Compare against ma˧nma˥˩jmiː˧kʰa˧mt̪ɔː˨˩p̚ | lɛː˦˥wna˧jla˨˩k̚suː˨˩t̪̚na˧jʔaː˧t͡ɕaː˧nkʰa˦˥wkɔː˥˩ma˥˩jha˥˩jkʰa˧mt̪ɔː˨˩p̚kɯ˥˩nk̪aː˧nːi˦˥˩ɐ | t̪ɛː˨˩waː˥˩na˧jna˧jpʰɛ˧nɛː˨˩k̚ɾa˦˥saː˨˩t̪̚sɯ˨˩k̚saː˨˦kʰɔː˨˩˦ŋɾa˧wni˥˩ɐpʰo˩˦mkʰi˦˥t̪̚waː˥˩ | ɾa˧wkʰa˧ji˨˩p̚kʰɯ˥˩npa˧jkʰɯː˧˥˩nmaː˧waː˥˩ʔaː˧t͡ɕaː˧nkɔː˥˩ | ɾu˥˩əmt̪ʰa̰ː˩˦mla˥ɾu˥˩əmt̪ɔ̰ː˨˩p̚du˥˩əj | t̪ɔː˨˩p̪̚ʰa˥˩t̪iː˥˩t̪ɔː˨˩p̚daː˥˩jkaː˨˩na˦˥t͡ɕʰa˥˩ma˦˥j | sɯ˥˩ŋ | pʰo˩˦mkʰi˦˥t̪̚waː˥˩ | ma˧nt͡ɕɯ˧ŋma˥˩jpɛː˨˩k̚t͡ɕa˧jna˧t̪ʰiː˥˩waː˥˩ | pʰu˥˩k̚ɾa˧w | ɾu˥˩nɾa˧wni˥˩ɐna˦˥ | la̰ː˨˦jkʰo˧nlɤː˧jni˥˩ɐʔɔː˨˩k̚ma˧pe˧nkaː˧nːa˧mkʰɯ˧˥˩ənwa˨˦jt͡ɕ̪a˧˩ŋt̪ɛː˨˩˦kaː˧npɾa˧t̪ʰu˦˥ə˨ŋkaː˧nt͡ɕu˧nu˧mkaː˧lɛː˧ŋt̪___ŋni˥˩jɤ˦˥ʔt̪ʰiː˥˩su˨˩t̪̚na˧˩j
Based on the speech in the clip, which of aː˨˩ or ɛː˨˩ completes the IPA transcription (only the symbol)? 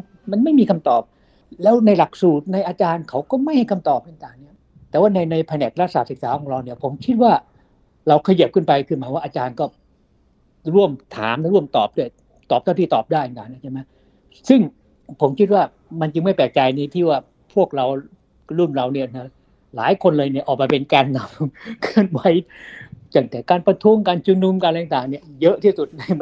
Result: aː˨˩